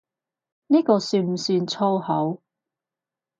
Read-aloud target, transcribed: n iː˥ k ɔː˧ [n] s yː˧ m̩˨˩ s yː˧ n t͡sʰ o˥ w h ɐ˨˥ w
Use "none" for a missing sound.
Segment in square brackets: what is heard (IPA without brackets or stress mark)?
none